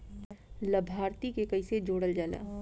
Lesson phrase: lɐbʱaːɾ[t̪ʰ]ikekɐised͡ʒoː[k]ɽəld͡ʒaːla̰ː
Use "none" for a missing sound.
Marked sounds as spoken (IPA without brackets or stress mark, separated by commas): t̪, none